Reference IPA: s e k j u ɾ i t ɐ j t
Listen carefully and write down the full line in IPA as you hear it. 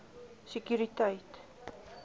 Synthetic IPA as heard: s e k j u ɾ i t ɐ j t